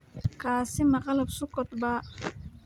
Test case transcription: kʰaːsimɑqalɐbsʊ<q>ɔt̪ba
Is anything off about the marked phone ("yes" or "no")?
yes